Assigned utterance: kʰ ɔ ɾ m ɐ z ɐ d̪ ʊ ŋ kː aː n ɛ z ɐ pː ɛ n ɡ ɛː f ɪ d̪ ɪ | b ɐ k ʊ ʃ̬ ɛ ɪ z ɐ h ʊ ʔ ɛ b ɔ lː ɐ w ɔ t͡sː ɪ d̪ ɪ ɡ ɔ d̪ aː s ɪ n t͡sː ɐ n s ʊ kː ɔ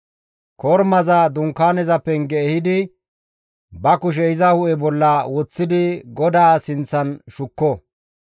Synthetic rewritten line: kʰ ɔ ɾ m ɐ z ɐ d̪ ʊ ŋ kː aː n ɛ z ɐ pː ɛ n ɡ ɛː h ɪ d̪ ɪ | b ɐ k ʊ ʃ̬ ɛ ɪ z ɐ h ʊ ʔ ɛ b ɔ lː ɐ w ɔ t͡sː ɪ d̪ ɪ ɡ ɔ d̪ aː s ɪ n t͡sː ɐ n ʃ ʊ kː ɔ